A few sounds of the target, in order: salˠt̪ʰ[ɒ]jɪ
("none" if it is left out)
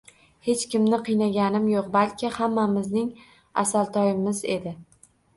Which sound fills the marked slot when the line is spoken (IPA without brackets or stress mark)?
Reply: ɒ